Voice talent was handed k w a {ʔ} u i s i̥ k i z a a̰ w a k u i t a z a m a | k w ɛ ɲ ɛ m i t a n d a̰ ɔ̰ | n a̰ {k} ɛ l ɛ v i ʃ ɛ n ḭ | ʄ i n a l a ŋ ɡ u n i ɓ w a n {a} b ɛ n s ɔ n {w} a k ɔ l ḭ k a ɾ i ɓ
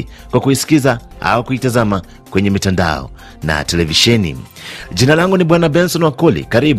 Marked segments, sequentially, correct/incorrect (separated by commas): incorrect, incorrect, correct, correct